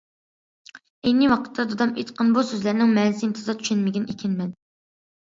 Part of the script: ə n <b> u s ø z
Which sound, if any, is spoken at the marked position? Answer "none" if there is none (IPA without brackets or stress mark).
b